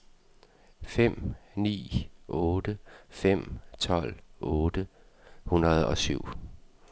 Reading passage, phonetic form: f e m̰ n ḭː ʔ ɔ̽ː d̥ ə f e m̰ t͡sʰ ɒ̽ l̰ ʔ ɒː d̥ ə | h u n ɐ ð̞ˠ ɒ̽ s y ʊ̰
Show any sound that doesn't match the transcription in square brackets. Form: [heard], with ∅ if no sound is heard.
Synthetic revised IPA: f e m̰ n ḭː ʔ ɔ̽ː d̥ ə f e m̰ t͡sʰ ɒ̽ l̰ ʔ [ɔː] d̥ ə | h u n ɐ ð̞ˠ ɒ̽ s y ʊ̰